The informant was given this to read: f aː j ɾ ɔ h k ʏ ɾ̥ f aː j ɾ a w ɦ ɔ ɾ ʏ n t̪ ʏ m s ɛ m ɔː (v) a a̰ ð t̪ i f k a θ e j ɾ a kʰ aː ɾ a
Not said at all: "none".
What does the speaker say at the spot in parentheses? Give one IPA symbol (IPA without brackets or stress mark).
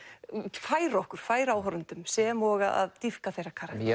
ɣ